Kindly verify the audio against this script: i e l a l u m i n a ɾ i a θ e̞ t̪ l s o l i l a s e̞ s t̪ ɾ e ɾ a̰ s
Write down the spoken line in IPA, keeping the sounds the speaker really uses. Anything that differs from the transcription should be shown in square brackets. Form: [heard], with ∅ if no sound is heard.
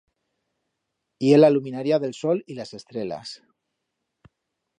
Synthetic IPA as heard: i e l a l u m i n a ɾ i a [ð] e̞ [∅] l s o l i l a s e̞ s t̪ ɾ e [l] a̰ s

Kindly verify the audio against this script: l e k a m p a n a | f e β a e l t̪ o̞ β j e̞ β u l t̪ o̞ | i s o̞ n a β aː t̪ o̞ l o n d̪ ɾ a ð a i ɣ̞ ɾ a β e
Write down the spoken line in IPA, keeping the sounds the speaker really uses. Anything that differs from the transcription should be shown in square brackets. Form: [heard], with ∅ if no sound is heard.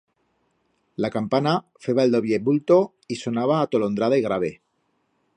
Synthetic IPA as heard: l [a] k a m p a n a | f e β a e l [d̪] o̞ β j e̞ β u l t̪ o̞ | i s o̞ n a β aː t̪ o̞ l o n d̪ ɾ a ð a i ɣ̞ ɾ a β e

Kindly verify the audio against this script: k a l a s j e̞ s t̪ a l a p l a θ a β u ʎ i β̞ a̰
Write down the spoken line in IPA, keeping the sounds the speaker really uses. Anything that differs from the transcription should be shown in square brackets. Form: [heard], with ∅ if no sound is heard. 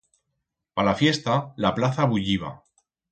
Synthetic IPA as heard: [p] a l a [f] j e̞ s t̪ a l a p l a θ a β u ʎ i β̞ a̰

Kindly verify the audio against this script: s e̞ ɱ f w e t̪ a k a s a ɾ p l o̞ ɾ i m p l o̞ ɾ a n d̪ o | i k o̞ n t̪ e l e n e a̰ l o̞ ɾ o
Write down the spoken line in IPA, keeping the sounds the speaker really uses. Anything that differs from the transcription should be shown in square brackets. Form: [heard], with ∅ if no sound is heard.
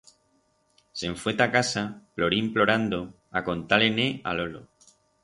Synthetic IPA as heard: s e̞ ɱ f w e t̪ a k a s a [∅] p l o̞ ɾ i m p l o̞ ɾ a n d̪ o | [a] k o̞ n t̪ [a] l e n e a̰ l o̞ [l] o

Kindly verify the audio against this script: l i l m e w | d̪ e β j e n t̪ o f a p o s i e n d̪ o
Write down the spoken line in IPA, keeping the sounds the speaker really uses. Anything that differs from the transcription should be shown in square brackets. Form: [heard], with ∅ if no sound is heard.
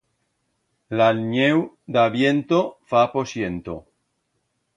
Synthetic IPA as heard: l [a] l [ɲ] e w | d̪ [a] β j e n t̪ o f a p o s [j] e n [t̪] o

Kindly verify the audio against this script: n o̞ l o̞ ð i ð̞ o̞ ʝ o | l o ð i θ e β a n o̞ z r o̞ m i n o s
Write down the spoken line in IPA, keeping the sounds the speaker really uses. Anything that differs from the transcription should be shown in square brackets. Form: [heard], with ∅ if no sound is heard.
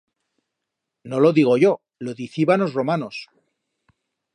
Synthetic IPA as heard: n o̞ l o̞ ð i [ɣ̞] o̞ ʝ o | l o ð i θ [i] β a n o̞ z r o̞ m [a] n o s

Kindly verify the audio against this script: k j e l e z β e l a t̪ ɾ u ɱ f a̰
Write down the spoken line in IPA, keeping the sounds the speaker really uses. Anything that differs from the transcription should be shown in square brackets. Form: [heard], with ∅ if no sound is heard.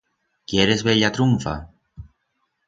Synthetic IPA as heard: k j e [ɾ] e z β e [ʎ] a t̪ ɾ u ɱ f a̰

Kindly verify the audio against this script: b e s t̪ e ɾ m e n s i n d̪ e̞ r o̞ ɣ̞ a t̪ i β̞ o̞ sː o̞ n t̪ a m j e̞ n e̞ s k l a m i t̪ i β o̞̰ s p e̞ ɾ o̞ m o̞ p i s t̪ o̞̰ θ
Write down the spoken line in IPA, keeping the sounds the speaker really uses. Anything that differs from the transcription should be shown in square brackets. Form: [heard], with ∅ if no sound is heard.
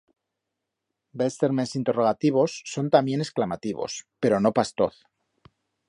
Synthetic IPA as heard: b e s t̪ e ɾ m e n s i n [t̪] e̞ r o̞ ɣ̞ a t̪ i β̞ o̞ sː o̞ n t̪ a m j e̞ n e̞ s k l a m [a] t̪ i β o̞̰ s p e̞ ɾ o̞ [n] o̞ p [a] s t̪ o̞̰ θ

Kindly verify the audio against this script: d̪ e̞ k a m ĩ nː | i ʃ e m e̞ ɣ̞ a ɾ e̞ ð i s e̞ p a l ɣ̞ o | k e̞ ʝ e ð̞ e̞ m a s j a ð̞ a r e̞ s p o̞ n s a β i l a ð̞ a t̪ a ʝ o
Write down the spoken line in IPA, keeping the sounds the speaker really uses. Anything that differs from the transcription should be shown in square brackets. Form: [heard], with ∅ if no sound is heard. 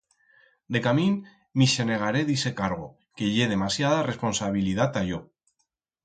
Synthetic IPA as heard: d̪ e̞ k a m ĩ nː | i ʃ e [n] e̞ ɣ̞ a ɾ e̞ ð i s e̞ [k] a [ɾ] ɣ̞ o | k e̞ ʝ e ð̞ e̞ m a s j a ð̞ a r e̞ s p o̞ n s a β i l [i] ð̞ a t̪ a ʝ o

